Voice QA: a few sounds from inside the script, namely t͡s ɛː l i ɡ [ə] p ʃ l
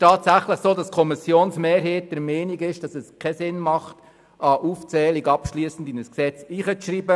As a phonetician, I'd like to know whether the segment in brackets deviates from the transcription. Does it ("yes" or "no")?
yes